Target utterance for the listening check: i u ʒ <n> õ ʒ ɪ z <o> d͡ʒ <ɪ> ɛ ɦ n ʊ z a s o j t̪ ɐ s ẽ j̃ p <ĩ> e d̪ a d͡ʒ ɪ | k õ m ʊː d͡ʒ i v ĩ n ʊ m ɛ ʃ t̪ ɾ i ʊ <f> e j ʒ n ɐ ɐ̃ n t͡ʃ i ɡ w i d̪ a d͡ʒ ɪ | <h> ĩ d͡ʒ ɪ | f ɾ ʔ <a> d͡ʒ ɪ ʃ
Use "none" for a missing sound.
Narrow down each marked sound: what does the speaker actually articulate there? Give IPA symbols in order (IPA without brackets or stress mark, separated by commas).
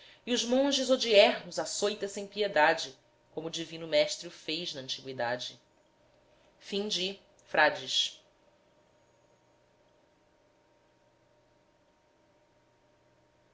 m, o, i, i, f, f, a